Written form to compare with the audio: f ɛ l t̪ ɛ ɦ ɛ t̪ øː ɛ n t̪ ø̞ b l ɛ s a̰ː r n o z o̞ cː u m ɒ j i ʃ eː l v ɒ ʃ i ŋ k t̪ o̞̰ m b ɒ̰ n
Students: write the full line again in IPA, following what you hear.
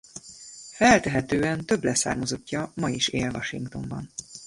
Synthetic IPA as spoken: f ɛ l t̪ ɛ ɦ ɛ t̪ øː ɛ n t̪ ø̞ b l ɛ s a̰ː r m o z o̞ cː ɒ m ɒ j i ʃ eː l v ɒ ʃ i ŋ k t̪ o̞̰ m b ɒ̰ n